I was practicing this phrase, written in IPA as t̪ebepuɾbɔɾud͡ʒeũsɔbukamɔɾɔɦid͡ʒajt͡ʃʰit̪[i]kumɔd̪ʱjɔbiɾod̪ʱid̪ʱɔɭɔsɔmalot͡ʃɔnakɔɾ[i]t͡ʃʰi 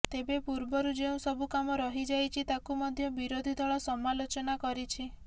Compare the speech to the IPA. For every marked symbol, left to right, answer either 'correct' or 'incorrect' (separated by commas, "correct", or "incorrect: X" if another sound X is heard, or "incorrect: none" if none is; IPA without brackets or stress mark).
incorrect: a, correct